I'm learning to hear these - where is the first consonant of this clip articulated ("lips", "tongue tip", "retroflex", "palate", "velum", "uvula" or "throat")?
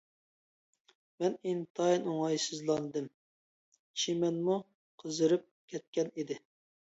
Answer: lips